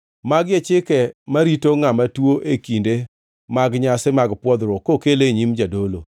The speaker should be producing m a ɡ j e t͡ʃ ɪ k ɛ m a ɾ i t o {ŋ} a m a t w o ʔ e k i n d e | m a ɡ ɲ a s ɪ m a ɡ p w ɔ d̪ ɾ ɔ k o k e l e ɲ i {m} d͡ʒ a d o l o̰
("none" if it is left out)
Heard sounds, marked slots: ŋ, m

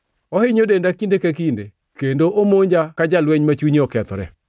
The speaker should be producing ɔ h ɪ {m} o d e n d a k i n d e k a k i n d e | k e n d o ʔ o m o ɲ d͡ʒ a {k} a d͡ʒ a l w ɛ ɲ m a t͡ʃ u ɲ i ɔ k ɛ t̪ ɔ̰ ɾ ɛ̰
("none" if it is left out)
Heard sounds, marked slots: ɲ, k

